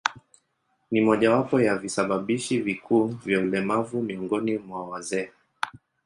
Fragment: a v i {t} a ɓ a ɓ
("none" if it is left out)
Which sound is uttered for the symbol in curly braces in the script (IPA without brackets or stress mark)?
s